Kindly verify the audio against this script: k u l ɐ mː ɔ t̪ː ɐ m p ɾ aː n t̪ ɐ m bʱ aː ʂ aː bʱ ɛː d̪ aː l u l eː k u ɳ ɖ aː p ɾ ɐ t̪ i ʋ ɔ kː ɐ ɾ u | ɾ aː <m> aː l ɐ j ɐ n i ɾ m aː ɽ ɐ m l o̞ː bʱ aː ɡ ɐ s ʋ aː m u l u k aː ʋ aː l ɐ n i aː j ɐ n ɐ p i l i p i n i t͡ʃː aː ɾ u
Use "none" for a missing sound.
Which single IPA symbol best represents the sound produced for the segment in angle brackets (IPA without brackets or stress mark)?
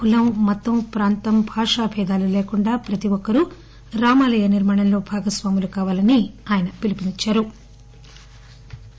m